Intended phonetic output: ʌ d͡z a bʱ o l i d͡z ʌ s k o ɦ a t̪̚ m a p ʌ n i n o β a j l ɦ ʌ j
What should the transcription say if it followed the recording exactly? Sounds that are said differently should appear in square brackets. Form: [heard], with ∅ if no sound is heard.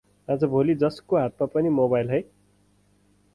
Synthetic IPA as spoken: [a] d͡z [ʌ] bʱ o l i d͡z ʌ s k o ɦ a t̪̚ m a p ʌ n i [m] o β a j l ɦ ʌ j